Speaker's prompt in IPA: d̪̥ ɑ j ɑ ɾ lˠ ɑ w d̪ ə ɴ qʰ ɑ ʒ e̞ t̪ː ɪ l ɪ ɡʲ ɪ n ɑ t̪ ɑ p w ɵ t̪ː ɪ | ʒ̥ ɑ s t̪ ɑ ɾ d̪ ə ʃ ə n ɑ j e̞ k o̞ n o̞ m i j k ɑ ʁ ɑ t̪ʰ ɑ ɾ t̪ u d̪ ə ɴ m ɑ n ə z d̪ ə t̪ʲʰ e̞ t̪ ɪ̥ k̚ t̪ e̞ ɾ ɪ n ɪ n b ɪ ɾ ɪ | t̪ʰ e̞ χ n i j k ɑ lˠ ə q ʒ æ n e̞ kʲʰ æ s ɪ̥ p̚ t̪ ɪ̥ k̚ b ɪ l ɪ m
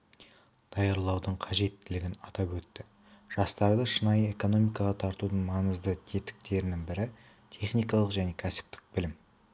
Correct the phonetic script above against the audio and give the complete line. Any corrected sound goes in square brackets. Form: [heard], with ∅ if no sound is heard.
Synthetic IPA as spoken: d̪̥ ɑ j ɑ ɾ lˠ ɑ w d̪ ə ɴ qʰ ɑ ʒ e̞ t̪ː ɪ l ɪ ɡʲ ɪ n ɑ t̪ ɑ p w ɵ t̪ː ɪ | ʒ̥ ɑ s t̪ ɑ ɾ d̪ ə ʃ ə n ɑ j e̞ k o̞ n o̞ m i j k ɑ ʁ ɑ t̪ʰ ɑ ɾ t̪ u d̪ ə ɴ m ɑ n ə z d̪ ə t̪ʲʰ e̞ t̪ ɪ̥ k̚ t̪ e̞ ɾ ɪ n ɪ [ŋ] b ɪ ɾ ɪ | t̪ʰ e̞ χ n i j k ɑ lˠ ə q ʒ æ n e̞ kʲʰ æ s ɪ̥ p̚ t̪ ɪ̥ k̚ b ɪ l ɪ m

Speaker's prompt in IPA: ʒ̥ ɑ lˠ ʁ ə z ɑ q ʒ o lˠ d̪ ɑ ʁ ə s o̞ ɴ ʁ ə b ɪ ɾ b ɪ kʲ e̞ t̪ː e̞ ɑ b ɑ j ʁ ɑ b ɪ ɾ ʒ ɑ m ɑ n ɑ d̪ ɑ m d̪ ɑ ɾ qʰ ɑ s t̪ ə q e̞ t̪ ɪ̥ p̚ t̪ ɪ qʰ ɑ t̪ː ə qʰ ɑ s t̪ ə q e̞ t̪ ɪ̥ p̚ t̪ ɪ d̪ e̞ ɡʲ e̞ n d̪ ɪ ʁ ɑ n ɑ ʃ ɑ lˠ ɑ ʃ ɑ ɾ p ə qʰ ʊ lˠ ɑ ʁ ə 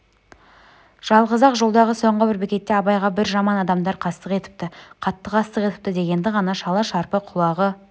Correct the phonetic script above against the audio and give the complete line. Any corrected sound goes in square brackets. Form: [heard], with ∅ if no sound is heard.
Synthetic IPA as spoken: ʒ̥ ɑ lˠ ʁ ə z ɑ q ʒ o lˠ d̪ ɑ ʁ ə s o̞ ɴ ʁ ə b ɪ ɾ b ɪ kʲ e̞ t̪ː e̞ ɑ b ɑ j ʁ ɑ b ɪ ɾ ʒ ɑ m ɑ n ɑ d̪ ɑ m d̪ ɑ ɾ qʰ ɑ s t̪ ə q e̞ t̪ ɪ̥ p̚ t̪ ɪ qʰ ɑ t̪ː ə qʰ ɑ s t̪ ə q e̞ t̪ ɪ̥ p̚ t̪ ɪ d̪ e̞ ɡʲ e̞ n d̪ ɪ ʁ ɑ n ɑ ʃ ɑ lˠ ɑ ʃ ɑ ɾ p ə qʰ ʊ lˠ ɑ ʁ ə

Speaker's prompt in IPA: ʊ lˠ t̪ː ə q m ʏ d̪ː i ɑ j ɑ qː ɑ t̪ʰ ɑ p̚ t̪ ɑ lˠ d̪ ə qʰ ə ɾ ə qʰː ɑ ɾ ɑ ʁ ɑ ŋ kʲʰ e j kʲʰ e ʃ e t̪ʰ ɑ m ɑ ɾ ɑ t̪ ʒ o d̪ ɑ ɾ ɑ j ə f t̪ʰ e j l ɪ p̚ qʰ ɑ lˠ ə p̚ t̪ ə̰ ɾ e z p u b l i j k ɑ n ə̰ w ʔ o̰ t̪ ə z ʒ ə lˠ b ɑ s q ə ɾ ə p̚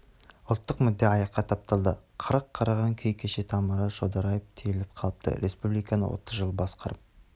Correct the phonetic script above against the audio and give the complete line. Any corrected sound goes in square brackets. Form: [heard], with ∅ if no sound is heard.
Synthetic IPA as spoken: ʊ lˠ t̪ː ə q m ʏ d̪ː [e] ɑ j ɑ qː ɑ t̪ʰ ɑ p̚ t̪ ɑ lˠ d̪ ə qʰ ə ɾ ə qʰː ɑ ɾ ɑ ʁ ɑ ŋ kʲʰ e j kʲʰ e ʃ e t̪ʰ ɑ m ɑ ɾ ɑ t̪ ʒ o d̪ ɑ ɾ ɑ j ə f t̪ʰ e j l ɪ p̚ qʰ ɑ lˠ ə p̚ t̪ ə̰ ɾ e [s] p u b l i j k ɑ n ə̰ w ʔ o̰ t̪ ə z ʒ ə lˠ b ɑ s q [ɑ] ɾ ə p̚

